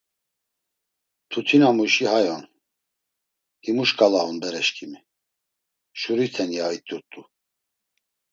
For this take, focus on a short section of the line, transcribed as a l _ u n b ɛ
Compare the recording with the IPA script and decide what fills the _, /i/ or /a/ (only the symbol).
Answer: a